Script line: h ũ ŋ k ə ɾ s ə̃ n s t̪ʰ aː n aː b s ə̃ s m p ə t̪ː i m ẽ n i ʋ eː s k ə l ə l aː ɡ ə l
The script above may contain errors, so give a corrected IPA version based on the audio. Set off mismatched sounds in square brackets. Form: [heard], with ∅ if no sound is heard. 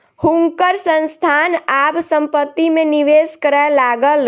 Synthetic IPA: h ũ ŋ k ə ɾ s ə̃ n s t̪ʰ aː n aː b s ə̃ [∅] m p ə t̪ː i m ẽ n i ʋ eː s k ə [ɾ] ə l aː ɡ ə l